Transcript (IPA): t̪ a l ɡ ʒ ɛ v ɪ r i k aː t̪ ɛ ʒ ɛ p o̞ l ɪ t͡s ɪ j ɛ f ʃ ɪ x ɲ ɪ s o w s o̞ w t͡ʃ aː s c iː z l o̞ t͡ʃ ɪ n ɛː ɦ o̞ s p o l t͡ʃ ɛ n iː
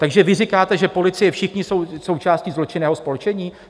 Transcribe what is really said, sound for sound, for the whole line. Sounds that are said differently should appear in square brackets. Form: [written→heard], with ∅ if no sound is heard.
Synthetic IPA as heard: t̪ a [l→∅] ɡ ʒ ɛ v ɪ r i k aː t̪ ɛ ʒ ɛ p o̞ l ɪ t͡s ɪ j ɛ f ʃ ɪ x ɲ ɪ s o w s o̞ w t͡ʃ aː s c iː z l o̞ t͡ʃ ɪ n ɛː ɦ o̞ s p o l t͡ʃ ɛ [n→ɲ] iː